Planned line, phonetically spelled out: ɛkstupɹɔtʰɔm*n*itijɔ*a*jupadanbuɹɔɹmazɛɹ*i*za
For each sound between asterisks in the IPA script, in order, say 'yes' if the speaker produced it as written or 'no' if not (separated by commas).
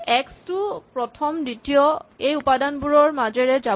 no, no, no